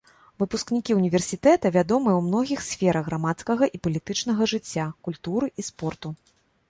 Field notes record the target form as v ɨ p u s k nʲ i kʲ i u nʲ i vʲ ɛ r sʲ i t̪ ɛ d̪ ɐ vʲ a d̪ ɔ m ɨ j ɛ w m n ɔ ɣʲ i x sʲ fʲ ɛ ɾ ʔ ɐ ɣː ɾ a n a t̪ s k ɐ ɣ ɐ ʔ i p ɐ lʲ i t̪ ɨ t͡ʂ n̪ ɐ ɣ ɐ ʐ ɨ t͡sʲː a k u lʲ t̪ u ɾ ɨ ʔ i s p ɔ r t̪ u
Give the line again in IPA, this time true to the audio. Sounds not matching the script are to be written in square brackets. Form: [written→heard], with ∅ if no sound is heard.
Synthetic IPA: v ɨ p u s k nʲ i kʲ i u nʲ i vʲ ɛ r sʲ i t̪ ɛ [d̪→t̪] ɐ vʲ a d̪ ɔ m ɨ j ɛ w m n ɔ ɣʲ i x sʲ fʲ ɛ ɾ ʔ ɐ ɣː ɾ a [n→m] a t̪ s k ɐ ɣ ɐ ʔ i p ɐ lʲ i t̪ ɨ t͡ʂ n̪ ɐ ɣ ɐ ʐ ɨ t͡sʲː a k u lʲ t̪ u ɾ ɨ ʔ i s p ɔ r t̪ u